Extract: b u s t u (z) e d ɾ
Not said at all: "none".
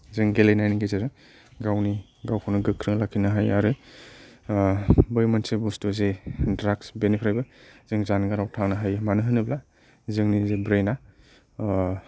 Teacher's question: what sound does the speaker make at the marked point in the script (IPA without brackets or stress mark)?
z